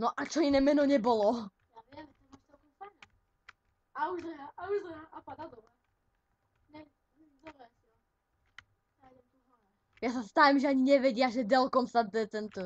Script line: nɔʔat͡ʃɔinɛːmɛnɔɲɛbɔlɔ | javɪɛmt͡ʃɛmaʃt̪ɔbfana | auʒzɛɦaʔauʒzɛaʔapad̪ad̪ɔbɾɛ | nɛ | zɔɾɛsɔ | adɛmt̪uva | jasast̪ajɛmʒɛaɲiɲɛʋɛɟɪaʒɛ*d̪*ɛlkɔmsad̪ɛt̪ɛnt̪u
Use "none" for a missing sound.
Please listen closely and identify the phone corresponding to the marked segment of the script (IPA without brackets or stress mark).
d̪